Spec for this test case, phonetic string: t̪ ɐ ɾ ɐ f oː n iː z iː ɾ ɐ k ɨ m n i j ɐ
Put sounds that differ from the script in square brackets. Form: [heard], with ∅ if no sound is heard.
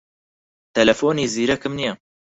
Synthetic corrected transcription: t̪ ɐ [l] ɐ f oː n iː z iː ɾ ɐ k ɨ m n i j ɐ